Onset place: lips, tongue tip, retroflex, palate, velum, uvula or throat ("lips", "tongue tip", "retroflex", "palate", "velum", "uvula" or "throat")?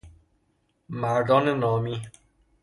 lips